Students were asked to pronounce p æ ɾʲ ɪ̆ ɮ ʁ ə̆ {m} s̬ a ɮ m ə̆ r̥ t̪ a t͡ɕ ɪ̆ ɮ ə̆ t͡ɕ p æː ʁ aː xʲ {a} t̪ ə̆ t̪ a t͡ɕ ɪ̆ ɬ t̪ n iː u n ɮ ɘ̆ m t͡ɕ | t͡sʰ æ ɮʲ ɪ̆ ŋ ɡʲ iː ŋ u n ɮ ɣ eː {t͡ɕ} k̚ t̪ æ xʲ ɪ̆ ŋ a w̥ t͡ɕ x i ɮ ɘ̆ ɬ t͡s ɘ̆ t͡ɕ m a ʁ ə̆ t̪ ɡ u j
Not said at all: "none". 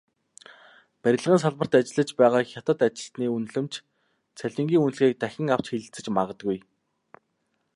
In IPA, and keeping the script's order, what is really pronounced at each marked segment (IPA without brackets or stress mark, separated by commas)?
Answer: n, a, none